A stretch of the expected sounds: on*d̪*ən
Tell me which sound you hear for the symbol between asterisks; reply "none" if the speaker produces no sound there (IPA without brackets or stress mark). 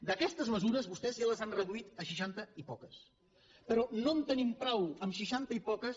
t̪